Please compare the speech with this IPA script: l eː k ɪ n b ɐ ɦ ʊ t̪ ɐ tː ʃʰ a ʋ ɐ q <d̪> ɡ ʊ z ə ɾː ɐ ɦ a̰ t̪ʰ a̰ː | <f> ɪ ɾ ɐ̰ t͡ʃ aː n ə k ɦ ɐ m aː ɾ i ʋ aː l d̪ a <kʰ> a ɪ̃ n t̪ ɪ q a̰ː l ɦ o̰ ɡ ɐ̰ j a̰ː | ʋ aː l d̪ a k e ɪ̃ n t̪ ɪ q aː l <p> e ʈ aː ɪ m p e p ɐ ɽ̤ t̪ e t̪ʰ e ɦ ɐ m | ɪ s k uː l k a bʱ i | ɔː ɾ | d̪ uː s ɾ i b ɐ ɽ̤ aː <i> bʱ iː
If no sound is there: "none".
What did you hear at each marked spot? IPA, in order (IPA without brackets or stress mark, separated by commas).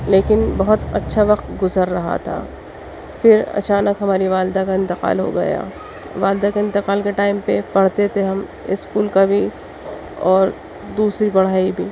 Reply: t̪, f, k, k, i